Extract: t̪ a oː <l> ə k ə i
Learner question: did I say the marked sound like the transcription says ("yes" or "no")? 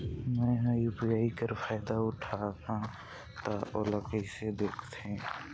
yes